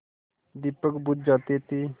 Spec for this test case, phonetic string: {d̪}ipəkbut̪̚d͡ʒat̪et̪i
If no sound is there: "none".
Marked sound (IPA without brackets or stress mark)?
d̪